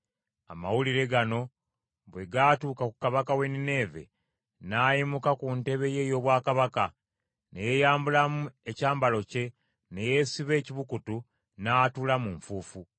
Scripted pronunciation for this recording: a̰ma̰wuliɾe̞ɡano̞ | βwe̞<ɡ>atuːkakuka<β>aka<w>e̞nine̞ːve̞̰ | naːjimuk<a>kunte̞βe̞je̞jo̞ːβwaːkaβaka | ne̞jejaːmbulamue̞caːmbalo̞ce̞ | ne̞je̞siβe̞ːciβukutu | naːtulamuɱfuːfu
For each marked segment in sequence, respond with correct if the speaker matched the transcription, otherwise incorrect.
correct, correct, correct, correct

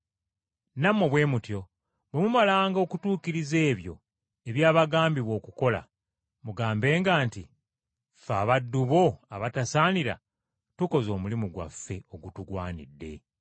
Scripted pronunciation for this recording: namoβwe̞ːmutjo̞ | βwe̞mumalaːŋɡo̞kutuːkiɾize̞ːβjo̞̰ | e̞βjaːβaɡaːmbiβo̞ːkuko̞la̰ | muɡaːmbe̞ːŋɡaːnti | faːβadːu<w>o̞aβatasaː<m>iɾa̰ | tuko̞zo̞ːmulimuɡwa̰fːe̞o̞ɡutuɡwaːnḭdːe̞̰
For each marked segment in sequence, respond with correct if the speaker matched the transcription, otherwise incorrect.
incorrect, incorrect

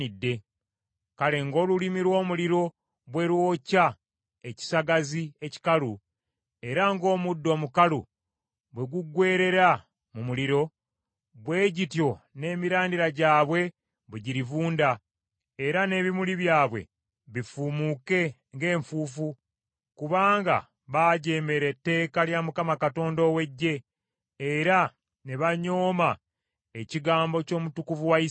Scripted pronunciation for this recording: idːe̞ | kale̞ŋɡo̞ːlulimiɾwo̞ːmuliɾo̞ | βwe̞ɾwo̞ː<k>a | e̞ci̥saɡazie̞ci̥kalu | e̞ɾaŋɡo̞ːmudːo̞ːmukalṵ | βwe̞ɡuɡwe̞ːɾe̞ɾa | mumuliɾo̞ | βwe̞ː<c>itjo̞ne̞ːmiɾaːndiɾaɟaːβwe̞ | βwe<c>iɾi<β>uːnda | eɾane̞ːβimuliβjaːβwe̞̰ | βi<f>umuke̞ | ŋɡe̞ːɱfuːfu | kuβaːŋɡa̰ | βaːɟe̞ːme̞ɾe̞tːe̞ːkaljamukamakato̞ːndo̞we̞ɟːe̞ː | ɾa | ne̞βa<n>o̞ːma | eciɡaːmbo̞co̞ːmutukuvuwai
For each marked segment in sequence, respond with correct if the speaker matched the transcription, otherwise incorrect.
incorrect, incorrect, incorrect, incorrect, correct, incorrect

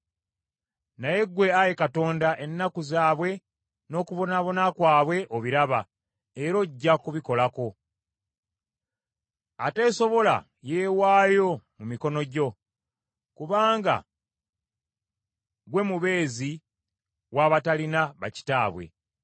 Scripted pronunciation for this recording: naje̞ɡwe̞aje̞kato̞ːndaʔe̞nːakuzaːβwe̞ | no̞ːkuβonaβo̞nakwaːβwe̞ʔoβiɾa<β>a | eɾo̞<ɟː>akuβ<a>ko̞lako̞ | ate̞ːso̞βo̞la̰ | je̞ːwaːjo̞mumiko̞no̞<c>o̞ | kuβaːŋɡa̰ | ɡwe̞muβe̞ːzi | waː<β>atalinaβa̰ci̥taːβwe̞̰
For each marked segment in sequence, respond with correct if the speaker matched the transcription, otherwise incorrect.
correct, correct, incorrect, incorrect, correct

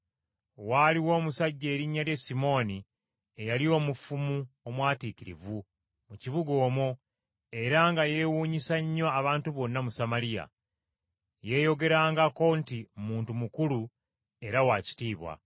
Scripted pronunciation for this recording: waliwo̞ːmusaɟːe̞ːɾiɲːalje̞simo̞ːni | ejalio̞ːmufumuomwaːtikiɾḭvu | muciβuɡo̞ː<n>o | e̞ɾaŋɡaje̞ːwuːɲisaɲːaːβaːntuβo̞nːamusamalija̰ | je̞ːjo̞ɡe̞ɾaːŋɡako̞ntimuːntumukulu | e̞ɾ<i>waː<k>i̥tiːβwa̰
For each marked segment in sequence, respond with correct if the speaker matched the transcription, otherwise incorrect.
incorrect, incorrect, incorrect

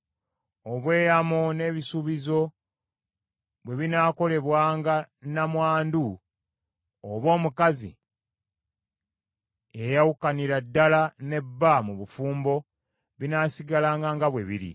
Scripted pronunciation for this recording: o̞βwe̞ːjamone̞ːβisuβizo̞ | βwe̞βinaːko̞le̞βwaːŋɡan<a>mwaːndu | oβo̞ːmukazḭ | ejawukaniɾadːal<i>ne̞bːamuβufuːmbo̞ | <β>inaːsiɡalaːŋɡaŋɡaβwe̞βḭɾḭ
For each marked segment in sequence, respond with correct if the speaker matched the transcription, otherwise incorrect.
correct, incorrect, correct

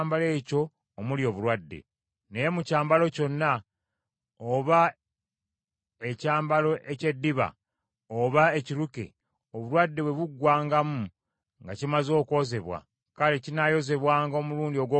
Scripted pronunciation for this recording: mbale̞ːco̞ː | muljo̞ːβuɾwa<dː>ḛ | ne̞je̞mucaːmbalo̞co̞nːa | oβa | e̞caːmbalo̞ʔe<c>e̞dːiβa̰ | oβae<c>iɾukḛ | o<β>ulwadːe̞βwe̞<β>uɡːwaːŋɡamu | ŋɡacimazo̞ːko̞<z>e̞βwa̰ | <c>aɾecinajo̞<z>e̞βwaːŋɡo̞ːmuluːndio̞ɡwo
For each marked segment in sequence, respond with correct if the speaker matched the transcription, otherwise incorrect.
correct, correct, correct, correct, correct, correct, incorrect, correct

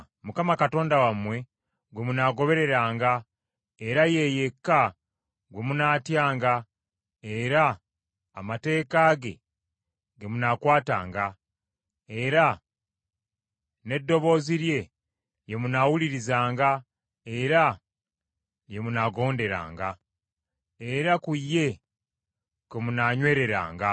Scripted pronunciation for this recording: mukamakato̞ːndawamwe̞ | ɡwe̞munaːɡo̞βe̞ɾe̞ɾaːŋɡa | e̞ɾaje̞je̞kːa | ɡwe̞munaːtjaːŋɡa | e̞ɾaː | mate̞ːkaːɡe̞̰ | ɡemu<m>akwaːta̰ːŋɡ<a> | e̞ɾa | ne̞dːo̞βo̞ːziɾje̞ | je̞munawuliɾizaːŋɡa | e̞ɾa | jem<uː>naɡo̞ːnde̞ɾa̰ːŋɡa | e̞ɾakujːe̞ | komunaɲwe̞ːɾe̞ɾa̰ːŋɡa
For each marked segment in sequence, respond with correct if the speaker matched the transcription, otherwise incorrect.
incorrect, correct, incorrect

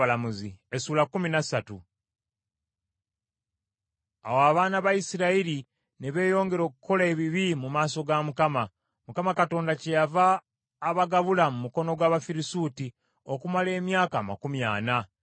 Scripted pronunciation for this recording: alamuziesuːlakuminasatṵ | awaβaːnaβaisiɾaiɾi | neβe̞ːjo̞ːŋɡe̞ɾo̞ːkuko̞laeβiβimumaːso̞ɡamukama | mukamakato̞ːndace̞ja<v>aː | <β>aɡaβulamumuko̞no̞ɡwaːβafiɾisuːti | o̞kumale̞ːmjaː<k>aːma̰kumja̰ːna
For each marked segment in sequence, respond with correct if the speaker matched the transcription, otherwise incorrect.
correct, correct, correct

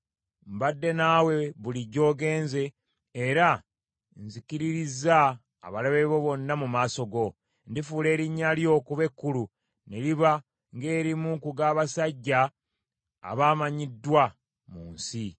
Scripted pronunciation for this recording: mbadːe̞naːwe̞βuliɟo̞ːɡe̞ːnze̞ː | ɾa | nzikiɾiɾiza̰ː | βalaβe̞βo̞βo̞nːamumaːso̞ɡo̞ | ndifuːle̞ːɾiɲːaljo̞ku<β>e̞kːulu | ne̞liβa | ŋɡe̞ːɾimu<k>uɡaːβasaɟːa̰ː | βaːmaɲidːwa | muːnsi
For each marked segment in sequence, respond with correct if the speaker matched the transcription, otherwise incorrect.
correct, correct

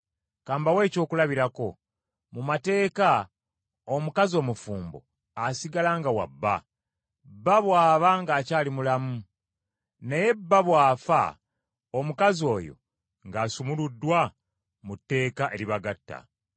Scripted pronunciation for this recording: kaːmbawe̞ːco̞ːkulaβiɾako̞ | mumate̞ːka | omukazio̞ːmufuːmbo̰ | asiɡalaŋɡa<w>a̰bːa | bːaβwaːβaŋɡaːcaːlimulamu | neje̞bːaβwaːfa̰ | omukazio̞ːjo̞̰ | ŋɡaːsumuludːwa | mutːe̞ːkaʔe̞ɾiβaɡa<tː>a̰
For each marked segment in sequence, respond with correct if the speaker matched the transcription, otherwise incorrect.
correct, correct

